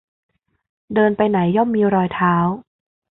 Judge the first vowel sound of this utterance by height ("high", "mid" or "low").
mid